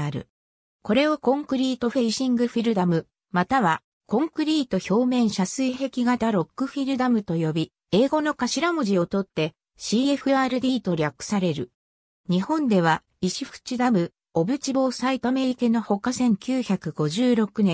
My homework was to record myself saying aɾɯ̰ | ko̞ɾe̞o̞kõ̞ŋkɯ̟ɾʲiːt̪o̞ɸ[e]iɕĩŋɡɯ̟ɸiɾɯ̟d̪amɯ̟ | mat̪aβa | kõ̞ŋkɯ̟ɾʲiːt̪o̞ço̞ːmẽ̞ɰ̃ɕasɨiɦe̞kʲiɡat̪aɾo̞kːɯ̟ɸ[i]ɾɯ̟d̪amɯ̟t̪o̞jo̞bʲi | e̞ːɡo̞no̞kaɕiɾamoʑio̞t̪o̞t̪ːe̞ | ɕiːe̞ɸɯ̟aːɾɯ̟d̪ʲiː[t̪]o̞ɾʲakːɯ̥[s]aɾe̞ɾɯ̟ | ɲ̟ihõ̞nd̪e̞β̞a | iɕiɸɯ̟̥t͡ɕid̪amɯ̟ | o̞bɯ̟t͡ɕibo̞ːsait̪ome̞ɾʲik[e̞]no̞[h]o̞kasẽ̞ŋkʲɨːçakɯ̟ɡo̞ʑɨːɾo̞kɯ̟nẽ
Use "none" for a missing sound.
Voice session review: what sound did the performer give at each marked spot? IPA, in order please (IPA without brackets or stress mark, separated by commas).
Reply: e, i, t̪, s, e̞, h